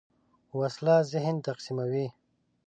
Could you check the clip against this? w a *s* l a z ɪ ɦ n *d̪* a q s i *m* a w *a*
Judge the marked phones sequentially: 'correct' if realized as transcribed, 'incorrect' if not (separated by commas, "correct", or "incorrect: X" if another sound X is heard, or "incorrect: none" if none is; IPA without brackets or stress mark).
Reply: correct, incorrect: t̪, correct, incorrect: i